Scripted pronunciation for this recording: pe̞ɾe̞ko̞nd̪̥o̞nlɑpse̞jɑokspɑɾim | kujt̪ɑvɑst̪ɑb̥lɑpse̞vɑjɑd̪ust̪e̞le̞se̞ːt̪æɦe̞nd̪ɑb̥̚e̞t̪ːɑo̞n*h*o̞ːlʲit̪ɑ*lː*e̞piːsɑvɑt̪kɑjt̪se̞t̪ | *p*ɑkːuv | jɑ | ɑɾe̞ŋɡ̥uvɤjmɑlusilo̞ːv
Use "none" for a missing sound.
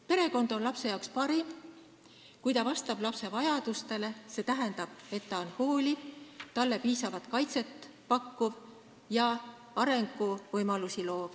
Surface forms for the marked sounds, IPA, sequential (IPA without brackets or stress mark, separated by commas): h, lː, p